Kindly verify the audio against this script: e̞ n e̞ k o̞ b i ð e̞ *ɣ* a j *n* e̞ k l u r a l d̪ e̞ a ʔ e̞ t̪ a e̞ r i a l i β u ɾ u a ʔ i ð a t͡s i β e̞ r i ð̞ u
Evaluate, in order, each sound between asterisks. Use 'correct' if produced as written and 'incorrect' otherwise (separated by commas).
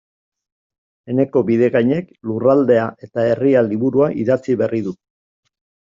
correct, incorrect